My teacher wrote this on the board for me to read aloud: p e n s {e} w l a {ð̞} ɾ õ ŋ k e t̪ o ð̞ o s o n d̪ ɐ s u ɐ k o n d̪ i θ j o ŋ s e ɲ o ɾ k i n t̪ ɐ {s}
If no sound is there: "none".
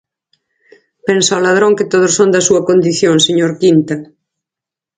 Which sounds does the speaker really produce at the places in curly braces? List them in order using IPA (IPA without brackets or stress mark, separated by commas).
a, ð̞, none